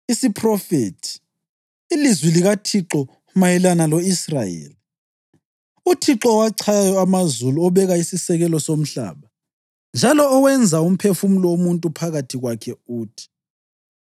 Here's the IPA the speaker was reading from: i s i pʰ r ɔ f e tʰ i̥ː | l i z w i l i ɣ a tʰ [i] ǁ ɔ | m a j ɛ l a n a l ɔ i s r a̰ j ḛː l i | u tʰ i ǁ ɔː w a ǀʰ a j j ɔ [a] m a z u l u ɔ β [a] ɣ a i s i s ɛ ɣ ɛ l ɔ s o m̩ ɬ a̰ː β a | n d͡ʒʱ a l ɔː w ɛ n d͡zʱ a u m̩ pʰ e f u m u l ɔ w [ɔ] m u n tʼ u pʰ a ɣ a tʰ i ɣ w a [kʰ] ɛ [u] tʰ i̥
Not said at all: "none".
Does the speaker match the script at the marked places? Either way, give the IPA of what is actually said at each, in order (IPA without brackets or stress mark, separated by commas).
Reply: i, a, ɛ, o, kʰ, uː